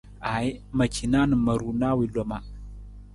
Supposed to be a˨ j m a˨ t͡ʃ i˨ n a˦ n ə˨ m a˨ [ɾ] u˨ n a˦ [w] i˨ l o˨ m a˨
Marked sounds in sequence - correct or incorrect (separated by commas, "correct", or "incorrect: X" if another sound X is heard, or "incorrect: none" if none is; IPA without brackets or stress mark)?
correct, correct